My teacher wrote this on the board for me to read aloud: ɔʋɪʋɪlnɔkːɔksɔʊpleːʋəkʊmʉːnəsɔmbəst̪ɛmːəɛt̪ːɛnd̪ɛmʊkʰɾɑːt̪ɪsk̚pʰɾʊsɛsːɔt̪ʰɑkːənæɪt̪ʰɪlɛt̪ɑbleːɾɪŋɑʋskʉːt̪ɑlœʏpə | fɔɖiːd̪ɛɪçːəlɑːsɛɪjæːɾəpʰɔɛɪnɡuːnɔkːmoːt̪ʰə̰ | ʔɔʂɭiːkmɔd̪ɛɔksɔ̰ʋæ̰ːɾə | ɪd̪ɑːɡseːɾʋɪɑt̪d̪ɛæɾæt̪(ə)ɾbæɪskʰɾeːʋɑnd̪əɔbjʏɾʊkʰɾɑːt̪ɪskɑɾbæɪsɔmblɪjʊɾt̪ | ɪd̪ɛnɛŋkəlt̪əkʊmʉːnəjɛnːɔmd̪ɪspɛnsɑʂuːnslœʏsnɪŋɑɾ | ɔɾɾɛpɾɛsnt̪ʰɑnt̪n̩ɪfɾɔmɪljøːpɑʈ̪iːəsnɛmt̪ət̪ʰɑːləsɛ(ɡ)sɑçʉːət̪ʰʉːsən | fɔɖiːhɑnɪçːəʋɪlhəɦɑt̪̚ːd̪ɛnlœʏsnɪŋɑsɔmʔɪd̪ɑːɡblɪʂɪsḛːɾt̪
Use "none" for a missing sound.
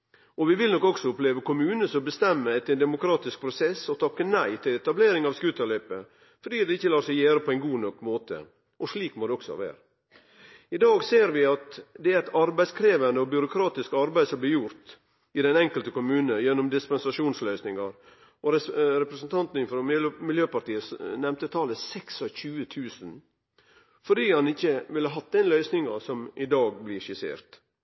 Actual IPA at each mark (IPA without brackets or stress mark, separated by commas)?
ɑ, k